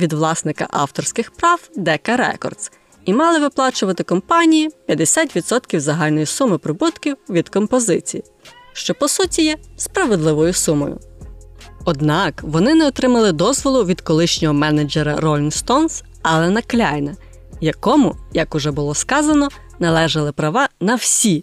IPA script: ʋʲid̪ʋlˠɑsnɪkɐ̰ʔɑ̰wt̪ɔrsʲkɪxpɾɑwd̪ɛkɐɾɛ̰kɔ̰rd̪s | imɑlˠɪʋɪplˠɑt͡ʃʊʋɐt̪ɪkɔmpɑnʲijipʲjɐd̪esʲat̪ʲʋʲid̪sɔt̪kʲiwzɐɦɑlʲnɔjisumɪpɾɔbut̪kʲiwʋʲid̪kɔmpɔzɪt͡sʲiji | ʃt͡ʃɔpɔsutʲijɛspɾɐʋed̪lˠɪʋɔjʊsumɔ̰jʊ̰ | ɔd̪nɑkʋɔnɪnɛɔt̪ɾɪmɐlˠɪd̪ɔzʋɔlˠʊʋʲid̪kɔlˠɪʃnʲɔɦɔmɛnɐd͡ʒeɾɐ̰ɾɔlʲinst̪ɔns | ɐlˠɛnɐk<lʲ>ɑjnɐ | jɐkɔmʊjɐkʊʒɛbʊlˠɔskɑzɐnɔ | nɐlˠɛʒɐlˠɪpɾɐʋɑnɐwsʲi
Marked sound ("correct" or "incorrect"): correct